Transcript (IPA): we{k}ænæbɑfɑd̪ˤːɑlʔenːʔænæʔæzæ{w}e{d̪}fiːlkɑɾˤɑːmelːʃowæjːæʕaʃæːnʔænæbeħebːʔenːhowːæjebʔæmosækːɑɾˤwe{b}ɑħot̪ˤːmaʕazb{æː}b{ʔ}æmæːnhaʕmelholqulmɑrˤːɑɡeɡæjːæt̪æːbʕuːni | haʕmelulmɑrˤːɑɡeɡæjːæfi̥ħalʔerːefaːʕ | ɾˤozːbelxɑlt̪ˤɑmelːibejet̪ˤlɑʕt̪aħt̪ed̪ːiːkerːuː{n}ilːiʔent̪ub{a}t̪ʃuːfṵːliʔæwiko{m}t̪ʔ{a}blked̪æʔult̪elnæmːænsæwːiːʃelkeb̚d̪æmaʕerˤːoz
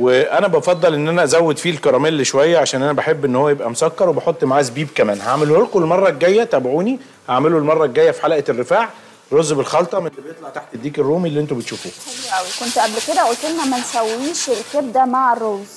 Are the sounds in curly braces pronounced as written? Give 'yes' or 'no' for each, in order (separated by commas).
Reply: no, no, yes, yes, no, no, no, no, no, no